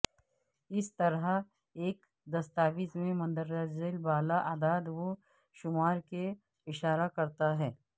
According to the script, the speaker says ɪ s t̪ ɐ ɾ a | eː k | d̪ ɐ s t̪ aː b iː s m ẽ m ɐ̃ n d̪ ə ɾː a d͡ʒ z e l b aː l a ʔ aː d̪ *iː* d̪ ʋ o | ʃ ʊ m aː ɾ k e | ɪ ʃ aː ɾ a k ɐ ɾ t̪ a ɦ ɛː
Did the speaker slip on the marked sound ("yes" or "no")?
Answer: yes